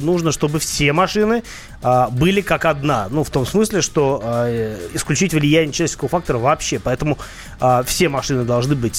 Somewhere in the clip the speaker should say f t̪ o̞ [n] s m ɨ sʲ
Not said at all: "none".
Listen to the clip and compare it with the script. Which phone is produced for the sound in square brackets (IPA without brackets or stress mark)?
m